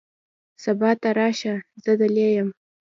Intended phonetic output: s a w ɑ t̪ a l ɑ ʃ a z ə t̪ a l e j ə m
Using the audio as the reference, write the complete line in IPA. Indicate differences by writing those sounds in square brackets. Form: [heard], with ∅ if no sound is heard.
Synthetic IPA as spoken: s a [b] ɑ t̪ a [ɾ] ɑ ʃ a z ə [d̪] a l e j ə m

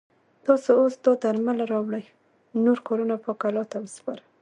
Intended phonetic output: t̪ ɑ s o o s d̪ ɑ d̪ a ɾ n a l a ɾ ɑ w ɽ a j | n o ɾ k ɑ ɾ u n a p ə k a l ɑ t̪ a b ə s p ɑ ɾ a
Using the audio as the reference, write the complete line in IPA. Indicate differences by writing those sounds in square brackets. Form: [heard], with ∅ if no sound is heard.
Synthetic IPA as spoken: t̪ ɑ s o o s d̪ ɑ d̪ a ɾ [m] a l a ɾ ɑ w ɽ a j | n o ɾ k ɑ ɾ u n a p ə k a l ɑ t̪ a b ə s p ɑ ɾ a

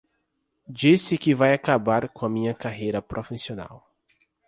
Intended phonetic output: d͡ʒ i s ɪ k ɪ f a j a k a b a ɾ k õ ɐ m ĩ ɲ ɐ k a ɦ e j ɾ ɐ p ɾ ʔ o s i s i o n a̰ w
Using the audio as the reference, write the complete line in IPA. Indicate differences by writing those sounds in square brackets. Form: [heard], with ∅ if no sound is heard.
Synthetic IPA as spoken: d͡ʒ i s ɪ k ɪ [v] a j a k a b a ɾ k õ ɐ m ĩ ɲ ɐ k a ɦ e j ɾ ɐ p ɾ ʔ o [f] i s i o n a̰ w

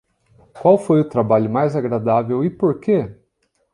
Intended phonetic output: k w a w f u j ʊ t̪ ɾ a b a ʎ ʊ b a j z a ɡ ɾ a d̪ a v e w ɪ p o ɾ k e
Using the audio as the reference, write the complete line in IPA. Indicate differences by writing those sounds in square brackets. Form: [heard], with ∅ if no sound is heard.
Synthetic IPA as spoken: k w a w f [o] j ʊ t̪ ɾ a b a ʎ ʊ [m] a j z a ɡ ɾ a d̪ a v e w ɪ p o ɾ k e

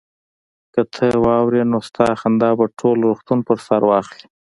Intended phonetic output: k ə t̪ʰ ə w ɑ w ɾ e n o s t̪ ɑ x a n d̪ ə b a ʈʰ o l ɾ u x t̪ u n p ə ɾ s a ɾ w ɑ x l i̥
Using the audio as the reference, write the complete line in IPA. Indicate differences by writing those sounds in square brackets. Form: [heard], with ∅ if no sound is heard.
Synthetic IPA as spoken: k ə t̪ʰ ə w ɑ w ɾ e n o s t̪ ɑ x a n d̪ [ɑ] b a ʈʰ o l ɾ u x t̪ u n p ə ɾ s a ɾ w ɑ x l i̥

